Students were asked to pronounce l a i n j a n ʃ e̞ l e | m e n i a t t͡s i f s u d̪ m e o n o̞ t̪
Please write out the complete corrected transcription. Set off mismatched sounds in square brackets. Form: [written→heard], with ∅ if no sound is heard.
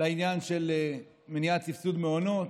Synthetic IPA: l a i n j a n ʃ e̞ l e | m e n i a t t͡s i f s u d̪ m e o n o̞ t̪

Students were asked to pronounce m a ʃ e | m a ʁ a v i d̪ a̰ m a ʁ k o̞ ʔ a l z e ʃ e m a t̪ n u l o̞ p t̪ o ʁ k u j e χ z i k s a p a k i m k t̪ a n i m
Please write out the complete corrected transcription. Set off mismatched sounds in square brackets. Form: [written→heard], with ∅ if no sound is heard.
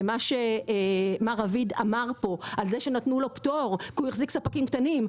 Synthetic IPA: m a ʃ e | m a ʁ a v i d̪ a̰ m a ʁ [k→p] o̞ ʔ a l z e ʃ e [m→n] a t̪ n u l o̞ p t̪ o ʁ k u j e χ z i k s a p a k i m k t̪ a n i m

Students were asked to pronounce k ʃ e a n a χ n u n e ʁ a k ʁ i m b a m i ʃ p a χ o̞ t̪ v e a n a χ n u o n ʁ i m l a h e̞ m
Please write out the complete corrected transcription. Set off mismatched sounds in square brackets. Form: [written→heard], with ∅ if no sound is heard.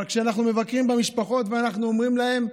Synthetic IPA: k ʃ e a n a χ n u [n→m] e [ʁ→v] a k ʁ i m b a m i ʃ p a χ o̞ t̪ v e a n a χ n u o [n→m] ʁ i m l a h e̞ m

